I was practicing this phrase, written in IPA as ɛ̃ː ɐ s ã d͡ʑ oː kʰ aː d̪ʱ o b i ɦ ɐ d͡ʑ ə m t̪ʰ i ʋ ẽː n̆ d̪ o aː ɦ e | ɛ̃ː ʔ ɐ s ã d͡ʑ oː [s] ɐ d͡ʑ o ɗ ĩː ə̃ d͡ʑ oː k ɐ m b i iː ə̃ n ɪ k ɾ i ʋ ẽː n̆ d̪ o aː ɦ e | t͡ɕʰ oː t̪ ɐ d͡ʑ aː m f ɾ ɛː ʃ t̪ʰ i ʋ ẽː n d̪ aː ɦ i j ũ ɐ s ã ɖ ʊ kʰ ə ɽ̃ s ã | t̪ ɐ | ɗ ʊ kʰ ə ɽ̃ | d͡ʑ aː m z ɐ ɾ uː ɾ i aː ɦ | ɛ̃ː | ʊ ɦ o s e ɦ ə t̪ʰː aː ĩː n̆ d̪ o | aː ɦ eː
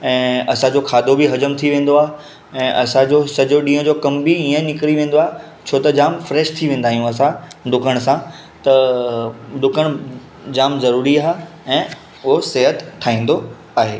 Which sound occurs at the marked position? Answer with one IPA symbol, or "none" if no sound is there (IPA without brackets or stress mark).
s